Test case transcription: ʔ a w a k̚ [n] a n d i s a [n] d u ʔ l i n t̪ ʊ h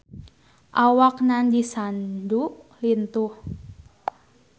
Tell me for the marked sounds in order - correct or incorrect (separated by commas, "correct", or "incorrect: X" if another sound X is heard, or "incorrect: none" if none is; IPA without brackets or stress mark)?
correct, correct